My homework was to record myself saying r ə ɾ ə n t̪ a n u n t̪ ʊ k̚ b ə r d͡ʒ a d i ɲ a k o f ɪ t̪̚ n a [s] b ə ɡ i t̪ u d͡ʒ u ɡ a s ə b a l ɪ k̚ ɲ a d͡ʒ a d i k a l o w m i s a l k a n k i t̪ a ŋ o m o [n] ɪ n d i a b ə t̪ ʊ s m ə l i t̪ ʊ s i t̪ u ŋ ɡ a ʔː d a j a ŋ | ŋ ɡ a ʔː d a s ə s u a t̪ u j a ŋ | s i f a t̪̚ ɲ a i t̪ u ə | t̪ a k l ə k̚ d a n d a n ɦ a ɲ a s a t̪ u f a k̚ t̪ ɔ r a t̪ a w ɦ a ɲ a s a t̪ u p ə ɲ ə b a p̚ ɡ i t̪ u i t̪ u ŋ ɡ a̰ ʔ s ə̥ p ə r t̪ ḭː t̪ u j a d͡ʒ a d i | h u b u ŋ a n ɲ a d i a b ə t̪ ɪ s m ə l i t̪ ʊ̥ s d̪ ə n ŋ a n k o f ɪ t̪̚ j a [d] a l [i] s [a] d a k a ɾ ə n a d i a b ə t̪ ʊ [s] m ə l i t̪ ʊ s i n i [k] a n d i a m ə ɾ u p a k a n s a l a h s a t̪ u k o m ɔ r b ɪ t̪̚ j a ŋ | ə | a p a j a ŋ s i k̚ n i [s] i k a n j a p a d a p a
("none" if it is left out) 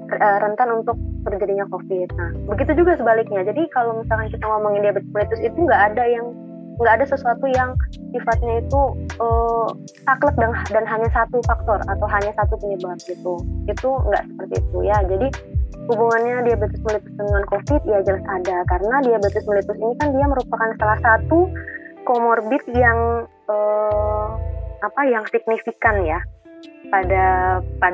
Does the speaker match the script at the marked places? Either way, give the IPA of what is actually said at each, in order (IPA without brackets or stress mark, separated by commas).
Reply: h, ŋ, d͡ʒ, a, a, s, k, f